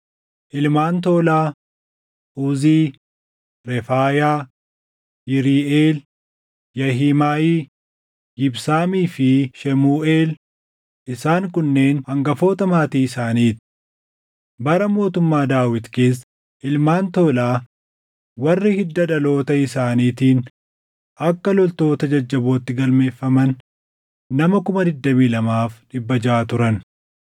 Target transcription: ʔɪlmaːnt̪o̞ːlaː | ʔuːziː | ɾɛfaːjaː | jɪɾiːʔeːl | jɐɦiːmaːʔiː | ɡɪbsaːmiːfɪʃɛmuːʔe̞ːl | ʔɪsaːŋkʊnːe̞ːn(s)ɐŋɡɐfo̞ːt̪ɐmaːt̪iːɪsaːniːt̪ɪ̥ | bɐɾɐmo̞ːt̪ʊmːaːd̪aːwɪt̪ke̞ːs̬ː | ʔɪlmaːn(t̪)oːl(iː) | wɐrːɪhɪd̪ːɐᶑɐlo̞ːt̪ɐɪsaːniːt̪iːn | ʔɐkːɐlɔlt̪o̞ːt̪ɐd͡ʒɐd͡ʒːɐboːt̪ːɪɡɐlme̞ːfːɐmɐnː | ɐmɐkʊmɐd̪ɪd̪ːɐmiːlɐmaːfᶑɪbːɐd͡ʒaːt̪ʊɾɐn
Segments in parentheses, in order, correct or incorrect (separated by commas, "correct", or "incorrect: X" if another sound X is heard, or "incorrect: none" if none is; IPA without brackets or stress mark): incorrect: h, correct, incorrect: aː